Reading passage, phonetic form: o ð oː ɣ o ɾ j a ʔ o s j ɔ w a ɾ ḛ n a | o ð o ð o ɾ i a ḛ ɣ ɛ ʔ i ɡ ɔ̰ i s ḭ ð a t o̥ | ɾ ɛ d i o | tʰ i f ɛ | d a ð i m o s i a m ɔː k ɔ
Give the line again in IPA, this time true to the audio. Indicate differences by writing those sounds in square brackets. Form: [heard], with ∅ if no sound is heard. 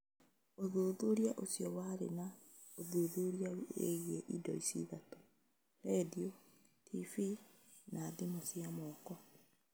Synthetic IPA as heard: o ð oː [ð] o ɾ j a ʔ o s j ɔ w a ɾ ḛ n a | o ð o ð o ɾ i a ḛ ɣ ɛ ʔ i [d] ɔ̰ i s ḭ ð a t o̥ | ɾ ɛ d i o | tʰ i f [i] | [n] a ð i m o s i a m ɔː k ɔ